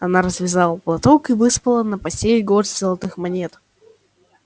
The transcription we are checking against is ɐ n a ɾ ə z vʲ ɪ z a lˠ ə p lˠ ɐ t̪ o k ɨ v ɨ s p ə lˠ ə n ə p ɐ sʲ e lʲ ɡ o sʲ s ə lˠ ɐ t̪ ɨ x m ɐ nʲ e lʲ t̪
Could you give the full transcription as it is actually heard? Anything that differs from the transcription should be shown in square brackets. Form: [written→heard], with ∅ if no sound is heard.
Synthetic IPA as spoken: ɐ n a ɾ ə z vʲ ɪ z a lˠ ə p lˠ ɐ t̪ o k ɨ v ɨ s p ə lˠ ə n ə p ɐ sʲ e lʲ ɡ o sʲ [s→z] ə lˠ ɐ t̪ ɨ x m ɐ nʲ e [lʲ→∅] t̪